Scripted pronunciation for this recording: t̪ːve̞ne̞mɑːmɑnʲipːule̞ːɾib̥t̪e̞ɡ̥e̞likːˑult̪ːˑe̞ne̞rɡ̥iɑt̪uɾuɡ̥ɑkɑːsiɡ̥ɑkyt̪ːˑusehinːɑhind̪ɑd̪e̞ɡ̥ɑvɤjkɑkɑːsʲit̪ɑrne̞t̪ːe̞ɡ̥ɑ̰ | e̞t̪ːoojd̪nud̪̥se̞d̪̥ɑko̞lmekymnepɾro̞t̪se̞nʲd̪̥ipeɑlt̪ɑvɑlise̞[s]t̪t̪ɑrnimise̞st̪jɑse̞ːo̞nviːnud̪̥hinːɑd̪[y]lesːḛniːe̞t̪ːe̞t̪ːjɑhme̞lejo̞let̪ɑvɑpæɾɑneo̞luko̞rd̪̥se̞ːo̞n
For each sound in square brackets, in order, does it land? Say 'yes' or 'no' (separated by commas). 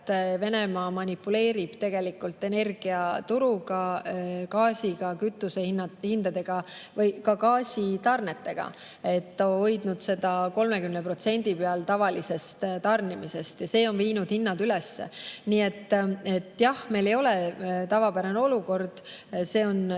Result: yes, yes